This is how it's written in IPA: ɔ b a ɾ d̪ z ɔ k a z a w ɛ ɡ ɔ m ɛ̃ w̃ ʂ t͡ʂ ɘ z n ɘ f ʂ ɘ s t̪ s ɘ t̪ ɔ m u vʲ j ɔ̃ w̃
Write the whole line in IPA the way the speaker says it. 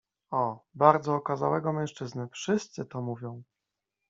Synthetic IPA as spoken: ɔ b a ɾ d̪ z ɔː k a z a w ɛ ɡ ɔ m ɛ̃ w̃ ʂ t͡ʂ ɘ z n ɘ f ʂ ɘ s t̪ s ɘ t̪ ɔ m u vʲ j ɔ̃ w̃